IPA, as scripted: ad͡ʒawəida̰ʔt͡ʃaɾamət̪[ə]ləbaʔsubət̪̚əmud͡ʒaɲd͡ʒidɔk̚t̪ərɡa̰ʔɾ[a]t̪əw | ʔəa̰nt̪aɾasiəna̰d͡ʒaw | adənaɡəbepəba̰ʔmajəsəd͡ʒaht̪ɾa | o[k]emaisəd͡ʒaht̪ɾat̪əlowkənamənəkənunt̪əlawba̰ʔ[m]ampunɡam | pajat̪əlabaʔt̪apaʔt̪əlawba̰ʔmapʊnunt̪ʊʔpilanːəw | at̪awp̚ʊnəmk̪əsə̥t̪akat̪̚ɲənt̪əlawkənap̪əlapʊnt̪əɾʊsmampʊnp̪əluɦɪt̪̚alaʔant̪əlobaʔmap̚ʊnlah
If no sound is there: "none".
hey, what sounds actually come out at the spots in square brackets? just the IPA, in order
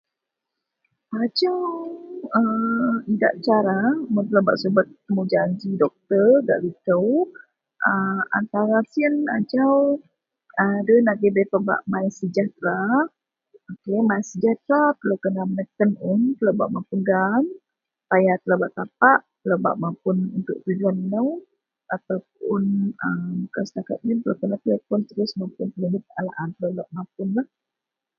ə, i, k, m

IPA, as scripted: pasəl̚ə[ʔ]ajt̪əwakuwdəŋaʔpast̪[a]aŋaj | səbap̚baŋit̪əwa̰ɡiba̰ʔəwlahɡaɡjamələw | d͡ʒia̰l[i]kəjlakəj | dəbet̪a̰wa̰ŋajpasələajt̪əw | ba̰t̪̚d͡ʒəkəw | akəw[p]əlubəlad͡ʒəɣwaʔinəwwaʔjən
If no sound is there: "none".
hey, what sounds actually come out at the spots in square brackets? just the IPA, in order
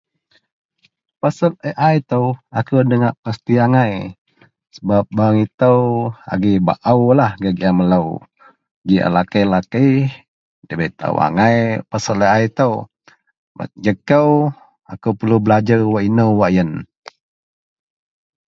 ʔ, i, a, p

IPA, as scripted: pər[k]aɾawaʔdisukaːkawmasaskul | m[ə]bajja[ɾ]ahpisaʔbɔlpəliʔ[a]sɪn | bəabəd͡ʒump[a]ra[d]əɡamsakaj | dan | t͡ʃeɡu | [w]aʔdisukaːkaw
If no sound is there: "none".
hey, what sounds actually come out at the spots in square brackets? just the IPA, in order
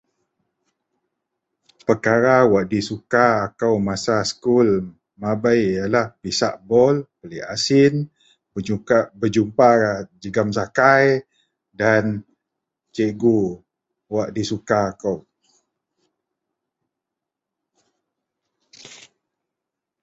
k, a, l, a, a, d͡ʒ, w

